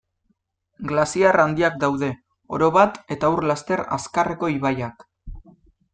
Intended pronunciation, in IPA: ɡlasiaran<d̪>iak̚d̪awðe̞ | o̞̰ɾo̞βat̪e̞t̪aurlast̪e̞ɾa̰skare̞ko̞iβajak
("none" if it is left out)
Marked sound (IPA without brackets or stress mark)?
d̪